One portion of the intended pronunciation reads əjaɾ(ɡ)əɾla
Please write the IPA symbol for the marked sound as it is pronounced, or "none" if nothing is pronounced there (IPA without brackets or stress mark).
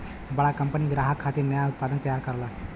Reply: k